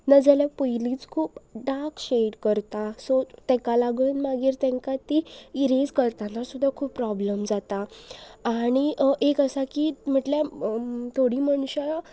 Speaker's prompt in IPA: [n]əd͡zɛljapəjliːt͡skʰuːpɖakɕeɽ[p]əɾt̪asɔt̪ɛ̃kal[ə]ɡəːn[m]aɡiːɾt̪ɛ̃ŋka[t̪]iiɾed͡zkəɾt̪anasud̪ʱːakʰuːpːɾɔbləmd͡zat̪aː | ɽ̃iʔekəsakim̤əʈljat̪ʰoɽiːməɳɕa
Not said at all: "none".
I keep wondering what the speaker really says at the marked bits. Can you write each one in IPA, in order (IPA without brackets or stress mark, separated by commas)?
n, k, a, m, t̪